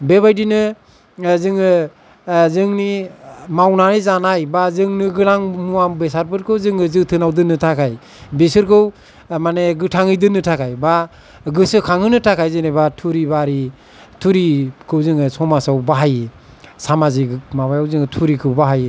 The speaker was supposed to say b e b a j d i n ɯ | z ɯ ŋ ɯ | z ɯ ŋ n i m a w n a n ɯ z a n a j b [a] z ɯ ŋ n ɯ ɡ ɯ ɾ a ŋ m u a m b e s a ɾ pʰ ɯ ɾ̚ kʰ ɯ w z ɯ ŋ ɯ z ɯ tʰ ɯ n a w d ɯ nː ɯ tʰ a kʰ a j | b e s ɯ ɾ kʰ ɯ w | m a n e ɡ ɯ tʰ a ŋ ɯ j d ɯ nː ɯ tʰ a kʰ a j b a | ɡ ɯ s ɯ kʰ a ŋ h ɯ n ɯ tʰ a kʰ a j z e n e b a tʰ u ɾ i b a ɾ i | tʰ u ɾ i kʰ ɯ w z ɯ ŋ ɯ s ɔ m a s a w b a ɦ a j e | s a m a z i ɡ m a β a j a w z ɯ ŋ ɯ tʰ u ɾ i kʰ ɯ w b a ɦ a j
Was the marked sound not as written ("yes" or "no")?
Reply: no